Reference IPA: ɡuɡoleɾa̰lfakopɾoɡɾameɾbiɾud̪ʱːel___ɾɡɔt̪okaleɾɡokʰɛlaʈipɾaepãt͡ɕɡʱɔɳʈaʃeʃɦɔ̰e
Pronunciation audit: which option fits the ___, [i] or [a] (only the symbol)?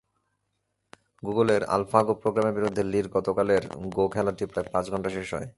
i